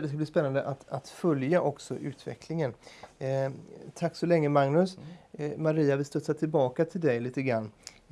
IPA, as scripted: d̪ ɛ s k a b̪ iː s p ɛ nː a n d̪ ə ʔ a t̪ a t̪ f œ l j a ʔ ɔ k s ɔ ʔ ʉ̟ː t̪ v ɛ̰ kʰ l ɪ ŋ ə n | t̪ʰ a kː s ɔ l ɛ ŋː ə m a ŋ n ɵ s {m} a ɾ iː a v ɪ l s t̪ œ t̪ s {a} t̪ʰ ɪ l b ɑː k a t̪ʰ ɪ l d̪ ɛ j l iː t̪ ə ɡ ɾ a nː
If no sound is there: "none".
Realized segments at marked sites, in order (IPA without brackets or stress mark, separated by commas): m, a